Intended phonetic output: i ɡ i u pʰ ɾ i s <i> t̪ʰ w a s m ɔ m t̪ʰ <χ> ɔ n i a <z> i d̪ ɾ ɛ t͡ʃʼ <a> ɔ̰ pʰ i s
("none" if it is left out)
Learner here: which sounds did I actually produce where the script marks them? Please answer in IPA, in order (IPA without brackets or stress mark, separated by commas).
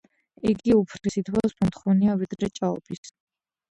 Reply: i, χ, v, a